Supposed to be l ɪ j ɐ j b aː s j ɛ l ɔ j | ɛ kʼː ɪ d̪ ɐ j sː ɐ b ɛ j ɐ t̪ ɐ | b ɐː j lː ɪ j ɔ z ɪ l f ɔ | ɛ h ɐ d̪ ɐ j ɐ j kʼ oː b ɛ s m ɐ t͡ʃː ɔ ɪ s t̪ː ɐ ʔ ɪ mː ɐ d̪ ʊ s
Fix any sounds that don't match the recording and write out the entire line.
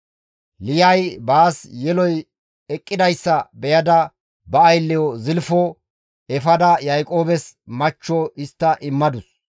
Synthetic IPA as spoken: l ɪ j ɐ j b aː s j ɛ l ɔ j | ɛ kʼː ɪ d̪ ɐ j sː ɐ b ɛ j ɐ d̪ ɐ | b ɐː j lː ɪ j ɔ z ɪ l f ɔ | ɛ f ɐ d̪ ɐ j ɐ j kʼ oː b ɛ s m ɐ t͡ʃː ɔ ɪ s t̪ː ɐ ʔ ɪ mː ɐ d̪ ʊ s